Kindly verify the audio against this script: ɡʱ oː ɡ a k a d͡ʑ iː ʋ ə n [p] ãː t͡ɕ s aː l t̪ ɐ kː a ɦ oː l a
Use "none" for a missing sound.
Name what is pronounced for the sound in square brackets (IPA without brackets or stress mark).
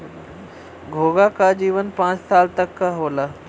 p